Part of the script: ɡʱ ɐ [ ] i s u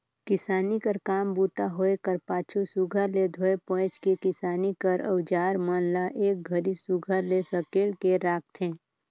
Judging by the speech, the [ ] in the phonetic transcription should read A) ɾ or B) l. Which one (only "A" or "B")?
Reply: A